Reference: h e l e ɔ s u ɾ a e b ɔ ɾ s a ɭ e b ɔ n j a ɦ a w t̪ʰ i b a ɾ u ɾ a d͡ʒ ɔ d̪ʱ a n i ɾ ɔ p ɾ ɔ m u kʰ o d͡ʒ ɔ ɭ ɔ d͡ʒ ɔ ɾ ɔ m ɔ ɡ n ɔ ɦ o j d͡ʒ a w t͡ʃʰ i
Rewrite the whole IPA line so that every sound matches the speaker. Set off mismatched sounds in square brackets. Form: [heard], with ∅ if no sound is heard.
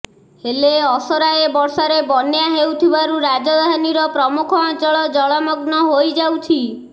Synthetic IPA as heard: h e l e ɔ s [ɔ] ɾ a e b ɔ ɾ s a [ɾ] e b ɔ n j a ɦ [e] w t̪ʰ i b a ɾ u ɾ a d͡ʒ ɔ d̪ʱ a n i ɾ ɔ p ɾ ɔ m u kʰ [ɔ] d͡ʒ ɔ ɭ ɔ d͡ʒ ɔ [ɭ] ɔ m ɔ ɡ n ɔ ɦ o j d͡ʒ a w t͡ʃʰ i